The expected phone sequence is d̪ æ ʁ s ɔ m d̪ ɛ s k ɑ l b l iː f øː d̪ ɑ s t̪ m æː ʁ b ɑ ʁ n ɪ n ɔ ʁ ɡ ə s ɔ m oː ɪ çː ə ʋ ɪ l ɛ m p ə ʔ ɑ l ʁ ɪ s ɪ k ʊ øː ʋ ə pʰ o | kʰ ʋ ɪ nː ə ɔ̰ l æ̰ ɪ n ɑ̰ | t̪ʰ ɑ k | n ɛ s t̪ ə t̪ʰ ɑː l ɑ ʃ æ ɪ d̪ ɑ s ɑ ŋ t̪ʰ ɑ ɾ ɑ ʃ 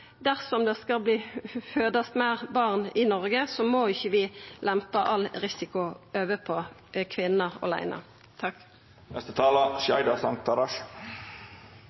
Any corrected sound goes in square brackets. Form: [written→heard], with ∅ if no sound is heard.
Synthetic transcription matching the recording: d̪ æ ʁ s ɔ m d̪ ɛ s k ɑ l b l iː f øː d̪ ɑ s t̪ m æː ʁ b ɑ ʁ n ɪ n ɔ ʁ ɡ ə s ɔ m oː ɪ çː ə ʋ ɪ l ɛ m p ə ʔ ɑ l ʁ ɪ s ɪ k ʊ øː ʋ ə pʰ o | kʰ ʋ ɪ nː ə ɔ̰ l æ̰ ɪ n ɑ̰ | t̪ʰ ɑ k | n ɛ s t̪ ə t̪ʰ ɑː l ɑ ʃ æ ɪ d̪ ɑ s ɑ ŋ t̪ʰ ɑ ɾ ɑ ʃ